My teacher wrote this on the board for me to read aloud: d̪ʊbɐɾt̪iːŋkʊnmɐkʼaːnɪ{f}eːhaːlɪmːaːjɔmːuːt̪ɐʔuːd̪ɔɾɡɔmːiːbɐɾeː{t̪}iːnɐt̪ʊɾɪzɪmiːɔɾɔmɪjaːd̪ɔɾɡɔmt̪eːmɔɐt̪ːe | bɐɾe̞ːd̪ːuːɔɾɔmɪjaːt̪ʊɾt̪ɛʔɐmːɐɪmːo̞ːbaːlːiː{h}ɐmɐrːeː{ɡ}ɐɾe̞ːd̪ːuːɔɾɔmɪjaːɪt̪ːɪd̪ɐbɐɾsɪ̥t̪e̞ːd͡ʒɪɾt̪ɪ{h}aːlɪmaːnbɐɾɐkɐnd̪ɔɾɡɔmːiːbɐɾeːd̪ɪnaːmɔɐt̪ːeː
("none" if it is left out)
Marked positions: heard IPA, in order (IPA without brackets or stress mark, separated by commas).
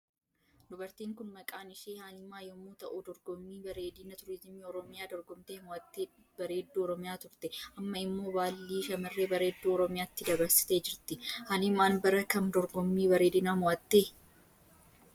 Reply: ʃ, d̪, ʃ, b, h